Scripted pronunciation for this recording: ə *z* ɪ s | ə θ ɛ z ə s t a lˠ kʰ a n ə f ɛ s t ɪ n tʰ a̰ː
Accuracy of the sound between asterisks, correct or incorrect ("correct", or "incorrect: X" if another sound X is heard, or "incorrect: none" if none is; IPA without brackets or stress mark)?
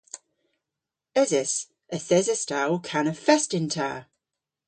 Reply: correct